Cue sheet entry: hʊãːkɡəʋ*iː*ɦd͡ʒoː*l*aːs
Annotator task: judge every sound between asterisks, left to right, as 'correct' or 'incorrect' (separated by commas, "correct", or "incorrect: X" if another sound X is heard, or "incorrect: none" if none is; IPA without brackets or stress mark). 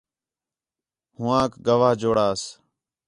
incorrect: aː, incorrect: ɽ